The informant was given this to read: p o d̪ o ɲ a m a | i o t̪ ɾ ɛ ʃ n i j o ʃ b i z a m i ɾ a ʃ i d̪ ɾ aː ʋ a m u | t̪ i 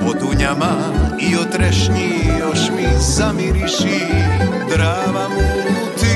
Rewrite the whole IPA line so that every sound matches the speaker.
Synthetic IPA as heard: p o d̪ u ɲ a m a | i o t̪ ɾ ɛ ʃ ɲ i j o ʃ m i z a m i ɾ i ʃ i d̪ ɾ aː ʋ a m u | t̪ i